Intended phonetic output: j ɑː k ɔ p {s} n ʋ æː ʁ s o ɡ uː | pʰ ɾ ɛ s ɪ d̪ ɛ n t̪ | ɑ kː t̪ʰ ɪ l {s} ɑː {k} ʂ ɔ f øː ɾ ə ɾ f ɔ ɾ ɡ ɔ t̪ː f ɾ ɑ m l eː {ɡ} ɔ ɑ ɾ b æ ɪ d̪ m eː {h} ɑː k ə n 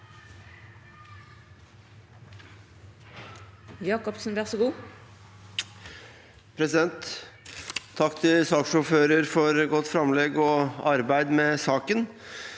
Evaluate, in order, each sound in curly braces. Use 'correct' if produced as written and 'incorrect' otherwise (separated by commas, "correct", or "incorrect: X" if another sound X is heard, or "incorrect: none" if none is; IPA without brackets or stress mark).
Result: correct, correct, correct, correct, incorrect: s